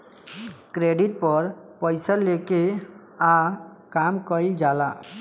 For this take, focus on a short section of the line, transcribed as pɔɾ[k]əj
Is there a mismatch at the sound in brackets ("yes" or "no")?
yes